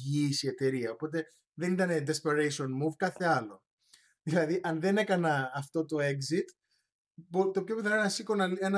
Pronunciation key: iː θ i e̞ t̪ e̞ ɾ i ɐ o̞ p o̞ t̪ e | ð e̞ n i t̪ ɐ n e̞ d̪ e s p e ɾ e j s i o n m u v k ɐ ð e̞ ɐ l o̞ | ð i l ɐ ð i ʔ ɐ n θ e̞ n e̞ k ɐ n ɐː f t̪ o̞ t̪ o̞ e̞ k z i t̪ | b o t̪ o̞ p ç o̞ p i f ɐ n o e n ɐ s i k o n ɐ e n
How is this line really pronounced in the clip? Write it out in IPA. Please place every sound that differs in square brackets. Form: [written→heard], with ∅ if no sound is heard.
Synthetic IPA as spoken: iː [θ→s] i e̞ t̪ e̞ ɾ i ɐ o̞ p o̞ t̪ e | ð e̞ n i t̪ ɐ n e̞ d̪ e s p e ɾ e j s i o n m u v k ɐ [ð→θ] e̞ ɐ l o̞ | ð i l ɐ ð i ʔ ɐ n [θ→ð] e̞ n e̞ k ɐ n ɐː f t̪ o̞ t̪ o̞ e̞ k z i t̪ | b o t̪ o̞ p ç o̞ p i [f→θ] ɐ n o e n ɐ s i k o n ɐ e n